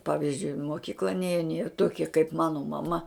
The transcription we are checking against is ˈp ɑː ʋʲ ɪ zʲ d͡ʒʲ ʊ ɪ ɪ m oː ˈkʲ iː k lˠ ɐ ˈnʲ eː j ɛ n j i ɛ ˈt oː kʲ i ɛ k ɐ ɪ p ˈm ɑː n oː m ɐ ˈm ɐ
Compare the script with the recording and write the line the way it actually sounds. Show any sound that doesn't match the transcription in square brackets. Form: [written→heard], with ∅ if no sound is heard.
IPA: ˈp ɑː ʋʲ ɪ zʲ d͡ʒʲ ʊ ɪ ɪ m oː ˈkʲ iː k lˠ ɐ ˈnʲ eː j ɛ n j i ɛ ˈt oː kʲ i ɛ k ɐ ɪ p ˈm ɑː n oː m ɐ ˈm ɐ

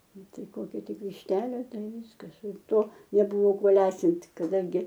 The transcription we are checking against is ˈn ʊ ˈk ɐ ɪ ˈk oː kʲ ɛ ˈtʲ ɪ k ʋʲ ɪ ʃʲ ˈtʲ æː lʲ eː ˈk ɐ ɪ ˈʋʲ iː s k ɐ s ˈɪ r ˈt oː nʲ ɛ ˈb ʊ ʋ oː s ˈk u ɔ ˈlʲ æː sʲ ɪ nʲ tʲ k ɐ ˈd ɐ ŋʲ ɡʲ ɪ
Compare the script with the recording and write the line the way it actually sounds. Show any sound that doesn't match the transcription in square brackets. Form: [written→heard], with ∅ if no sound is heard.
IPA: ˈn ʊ [ˈk→ˈt] ɐ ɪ ˈk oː kʲ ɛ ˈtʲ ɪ k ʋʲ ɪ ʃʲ ˈtʲ æː lʲ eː [ˈk→ˈt] ɐ ɪ ˈʋʲ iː s k ɐ s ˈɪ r ˈt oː nʲ ɛ ˈb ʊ ʋ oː [s→∅] ˈk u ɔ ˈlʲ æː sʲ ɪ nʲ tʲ k ɐ ˈd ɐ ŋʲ ɡʲ ɪ

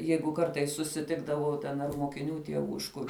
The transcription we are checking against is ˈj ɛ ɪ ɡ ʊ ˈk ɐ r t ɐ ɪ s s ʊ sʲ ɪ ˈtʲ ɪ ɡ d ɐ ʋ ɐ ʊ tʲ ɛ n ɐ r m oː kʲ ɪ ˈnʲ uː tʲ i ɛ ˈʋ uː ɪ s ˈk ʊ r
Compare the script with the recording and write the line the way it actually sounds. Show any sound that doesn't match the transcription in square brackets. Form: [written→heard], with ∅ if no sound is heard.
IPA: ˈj ɛ ɪ ɡ ʊ ˈk ɐ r t ɐ ɪ s s ʊ sʲ ɪ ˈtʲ ɪ ɡ d ɐ ʋ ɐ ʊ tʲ ɛ n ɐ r m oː kʲ ɪ ˈnʲ uː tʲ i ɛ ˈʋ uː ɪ [s→ʃ] ˈk ʊ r

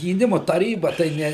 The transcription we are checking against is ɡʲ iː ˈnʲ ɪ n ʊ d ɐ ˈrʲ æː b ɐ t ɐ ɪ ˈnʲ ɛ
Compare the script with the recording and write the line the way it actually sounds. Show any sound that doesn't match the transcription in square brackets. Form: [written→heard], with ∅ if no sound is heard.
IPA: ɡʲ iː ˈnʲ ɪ [n→m] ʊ [d→t] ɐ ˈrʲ [æː→iː] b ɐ t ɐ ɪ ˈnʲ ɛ

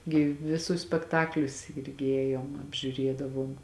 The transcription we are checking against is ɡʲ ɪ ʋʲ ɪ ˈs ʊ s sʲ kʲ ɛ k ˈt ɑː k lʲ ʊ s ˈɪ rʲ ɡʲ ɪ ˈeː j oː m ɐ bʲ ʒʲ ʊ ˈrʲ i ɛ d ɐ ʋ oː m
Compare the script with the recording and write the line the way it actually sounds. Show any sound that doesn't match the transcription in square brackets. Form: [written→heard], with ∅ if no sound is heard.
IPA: ɡʲ ɪ ʋʲ ɪ ˈs ʊ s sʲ [kʲ→pʲ] ɛ k ˈt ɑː k lʲ ʊ s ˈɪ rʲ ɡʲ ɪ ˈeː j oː m ɐ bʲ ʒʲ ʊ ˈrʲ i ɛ d ɐ ʋ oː m

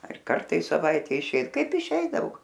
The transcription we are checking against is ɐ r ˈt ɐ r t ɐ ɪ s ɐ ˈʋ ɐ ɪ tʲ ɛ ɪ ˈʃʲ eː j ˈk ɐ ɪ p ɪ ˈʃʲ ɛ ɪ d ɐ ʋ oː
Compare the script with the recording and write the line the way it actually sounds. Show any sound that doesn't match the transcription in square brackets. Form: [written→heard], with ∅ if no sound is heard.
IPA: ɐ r [ˈt→ˈk] ɐ r t ɐ ɪ s ɐ ˈʋ ɐ ɪ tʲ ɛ ɪ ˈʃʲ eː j ˈk ɐ ɪ p ɪ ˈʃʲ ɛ ɪ d ɐ ʋ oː

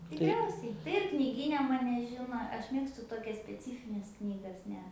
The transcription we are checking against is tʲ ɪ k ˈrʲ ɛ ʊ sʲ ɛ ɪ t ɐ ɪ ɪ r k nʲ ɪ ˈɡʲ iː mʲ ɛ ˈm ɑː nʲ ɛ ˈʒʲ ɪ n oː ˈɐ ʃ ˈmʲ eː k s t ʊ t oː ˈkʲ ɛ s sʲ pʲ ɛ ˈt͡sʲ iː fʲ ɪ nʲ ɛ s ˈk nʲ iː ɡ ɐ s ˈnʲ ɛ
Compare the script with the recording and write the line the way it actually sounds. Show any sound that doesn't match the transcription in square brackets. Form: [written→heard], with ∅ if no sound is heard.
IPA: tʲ ɪ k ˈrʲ ɛ ʊ sʲ ɛ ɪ t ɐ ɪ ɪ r k nʲ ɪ ˈɡʲ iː [mʲ→nʲ] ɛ ˈm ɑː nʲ ɛ ˈʒʲ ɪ n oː ˈɐ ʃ ˈmʲ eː k s t ʊ t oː ˈkʲ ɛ s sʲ pʲ ɛ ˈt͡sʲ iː fʲ ɪ nʲ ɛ s ˈk nʲ iː ɡ ɐ s ˈnʲ ɛ

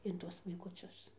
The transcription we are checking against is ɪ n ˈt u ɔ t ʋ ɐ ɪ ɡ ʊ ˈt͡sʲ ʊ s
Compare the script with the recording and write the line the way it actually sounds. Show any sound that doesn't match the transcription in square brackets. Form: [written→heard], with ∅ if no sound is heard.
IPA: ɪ n ˈt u ɔ [t→s] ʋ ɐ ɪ [ɡ→k] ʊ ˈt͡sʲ ʊ s

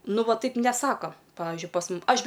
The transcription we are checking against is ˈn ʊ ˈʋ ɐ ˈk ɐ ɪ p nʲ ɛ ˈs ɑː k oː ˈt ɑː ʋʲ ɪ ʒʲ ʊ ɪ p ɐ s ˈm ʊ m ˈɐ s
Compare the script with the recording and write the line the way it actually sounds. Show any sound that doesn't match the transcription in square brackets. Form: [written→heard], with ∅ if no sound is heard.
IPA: ˈn ʊ ˈʋ ɐ [ˈk→ˈt] ɐ ɪ p nʲ ɛ ˈs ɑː k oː [ˈt→ˈp] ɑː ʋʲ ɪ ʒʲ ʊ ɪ p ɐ s ˈm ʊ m ˈɐ [s→ʃ]

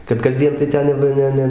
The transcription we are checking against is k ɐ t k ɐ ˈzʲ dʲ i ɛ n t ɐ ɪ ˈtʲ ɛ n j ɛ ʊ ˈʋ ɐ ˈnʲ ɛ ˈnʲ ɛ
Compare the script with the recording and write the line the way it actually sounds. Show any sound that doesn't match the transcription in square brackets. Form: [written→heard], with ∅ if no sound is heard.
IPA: k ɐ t k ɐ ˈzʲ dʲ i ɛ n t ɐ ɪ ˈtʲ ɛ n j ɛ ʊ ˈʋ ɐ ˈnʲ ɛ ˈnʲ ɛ

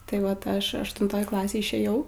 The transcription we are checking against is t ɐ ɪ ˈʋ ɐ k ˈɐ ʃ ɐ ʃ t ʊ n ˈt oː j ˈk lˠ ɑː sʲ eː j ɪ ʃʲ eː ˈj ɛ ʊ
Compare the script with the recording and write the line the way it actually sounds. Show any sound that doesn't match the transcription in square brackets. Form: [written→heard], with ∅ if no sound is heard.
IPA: t ɐ ɪ ˈʋ ɐ [k→t] ˈɐ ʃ ɐ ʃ t ʊ n ˈt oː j ˈk lˠ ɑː sʲ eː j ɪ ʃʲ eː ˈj ɛ ʊ

